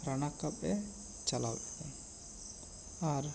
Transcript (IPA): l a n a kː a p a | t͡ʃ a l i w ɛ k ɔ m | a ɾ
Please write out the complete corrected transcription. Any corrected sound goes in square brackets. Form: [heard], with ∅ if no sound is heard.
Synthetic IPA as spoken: [ɾ] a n a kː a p [ɛ] | t͡ʃ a l [a] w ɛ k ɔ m | a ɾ